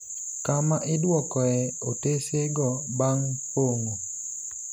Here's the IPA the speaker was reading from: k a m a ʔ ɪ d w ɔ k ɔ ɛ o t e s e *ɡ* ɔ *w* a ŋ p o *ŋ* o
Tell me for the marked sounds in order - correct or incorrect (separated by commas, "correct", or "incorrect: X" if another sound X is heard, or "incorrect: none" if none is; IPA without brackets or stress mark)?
correct, incorrect: b, correct